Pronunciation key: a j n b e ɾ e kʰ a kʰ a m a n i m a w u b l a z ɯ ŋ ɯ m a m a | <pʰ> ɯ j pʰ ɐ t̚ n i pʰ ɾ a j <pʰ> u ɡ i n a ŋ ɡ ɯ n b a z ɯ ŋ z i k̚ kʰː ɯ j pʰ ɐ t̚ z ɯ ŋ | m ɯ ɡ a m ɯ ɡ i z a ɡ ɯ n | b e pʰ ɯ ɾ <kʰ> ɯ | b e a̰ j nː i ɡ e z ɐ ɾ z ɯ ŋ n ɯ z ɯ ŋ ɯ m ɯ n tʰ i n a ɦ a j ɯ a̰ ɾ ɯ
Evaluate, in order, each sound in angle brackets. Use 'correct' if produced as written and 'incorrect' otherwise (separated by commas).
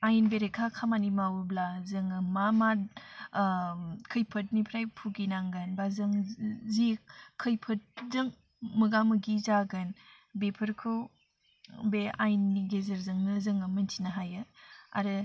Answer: incorrect, correct, correct